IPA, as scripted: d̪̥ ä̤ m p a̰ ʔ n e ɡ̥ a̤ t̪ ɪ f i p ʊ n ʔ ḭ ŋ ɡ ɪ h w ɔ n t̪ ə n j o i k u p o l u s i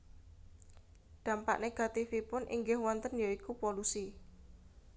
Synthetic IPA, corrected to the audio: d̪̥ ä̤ m p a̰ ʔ n e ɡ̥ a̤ t̪ i f i p ʊ n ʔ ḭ ŋ ɡ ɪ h w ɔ n t̪ ə n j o i k u p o l u s i